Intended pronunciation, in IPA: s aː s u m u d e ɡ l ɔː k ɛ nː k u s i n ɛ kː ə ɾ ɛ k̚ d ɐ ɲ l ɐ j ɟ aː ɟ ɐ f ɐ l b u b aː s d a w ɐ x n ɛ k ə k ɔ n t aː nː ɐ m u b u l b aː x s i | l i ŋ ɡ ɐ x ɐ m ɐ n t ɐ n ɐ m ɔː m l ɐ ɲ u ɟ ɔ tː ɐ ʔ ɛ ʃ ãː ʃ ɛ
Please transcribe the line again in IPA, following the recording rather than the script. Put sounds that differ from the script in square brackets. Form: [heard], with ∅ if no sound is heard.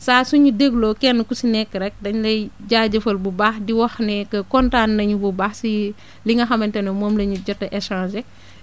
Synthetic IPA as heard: s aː s u [ɲ] u d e ɡ l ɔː k ɛ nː k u s i n ɛ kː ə ɾ ɛ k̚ d ɐ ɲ l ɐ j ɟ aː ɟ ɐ f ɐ l b u b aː [x] d [i] w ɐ x n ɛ k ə k ɔ n t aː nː ɐ [ɲ] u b u [∅] b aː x s i | l i ŋ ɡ ɐ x ɐ m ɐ n t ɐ n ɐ m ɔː m l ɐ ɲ u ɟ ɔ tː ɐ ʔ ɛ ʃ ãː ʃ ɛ